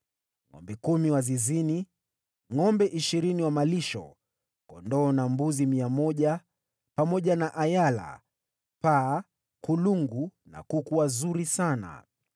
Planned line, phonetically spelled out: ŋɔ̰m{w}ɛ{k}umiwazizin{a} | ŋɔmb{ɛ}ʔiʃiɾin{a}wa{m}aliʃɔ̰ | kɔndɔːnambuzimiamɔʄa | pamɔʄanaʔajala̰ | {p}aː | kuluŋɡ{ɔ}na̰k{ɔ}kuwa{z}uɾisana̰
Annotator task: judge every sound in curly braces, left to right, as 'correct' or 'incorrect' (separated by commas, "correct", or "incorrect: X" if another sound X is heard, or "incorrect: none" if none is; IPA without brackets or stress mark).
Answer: incorrect: b, correct, incorrect: i, correct, incorrect: i, correct, correct, incorrect: u, incorrect: u, correct